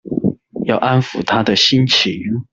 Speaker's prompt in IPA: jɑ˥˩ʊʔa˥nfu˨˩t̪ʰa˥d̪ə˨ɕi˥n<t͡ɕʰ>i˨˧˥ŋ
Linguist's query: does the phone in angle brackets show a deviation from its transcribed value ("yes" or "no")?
no